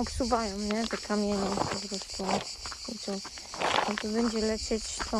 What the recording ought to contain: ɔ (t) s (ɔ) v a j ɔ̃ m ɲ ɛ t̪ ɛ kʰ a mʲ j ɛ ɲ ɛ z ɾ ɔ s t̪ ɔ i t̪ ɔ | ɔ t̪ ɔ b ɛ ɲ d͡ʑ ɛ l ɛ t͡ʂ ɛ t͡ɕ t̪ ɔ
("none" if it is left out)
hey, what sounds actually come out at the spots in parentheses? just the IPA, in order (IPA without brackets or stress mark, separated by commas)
p, u